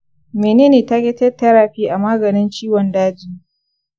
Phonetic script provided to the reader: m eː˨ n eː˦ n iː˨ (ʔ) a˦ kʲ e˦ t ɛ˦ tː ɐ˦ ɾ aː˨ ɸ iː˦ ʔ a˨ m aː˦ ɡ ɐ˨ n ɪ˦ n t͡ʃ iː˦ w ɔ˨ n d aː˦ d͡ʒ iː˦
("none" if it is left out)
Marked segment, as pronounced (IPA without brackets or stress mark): t